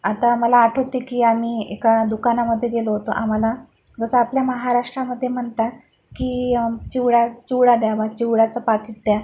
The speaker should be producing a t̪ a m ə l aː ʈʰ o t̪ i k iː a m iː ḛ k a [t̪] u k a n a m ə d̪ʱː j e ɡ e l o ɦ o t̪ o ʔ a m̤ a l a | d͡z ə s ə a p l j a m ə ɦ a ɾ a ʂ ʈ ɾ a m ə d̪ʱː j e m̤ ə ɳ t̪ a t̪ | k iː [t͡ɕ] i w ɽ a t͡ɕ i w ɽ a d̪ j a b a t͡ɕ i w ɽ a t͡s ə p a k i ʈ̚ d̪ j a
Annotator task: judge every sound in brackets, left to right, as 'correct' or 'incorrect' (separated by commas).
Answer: incorrect, correct